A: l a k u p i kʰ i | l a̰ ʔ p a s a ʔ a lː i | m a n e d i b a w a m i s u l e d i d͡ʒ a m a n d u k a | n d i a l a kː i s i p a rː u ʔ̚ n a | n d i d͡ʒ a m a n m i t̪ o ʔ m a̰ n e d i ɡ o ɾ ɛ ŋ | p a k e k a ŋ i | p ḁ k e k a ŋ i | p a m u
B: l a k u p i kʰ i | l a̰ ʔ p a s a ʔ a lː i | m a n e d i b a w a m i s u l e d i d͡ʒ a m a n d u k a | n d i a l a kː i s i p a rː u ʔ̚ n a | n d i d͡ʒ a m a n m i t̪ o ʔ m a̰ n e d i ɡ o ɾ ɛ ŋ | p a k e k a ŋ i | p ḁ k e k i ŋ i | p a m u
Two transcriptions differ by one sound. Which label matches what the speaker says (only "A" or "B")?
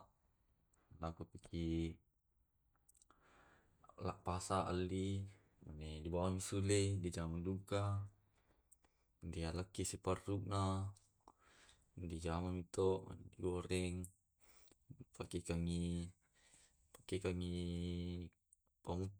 A